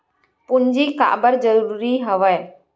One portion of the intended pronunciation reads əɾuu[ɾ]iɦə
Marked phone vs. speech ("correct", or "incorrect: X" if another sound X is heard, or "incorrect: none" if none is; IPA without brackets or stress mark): correct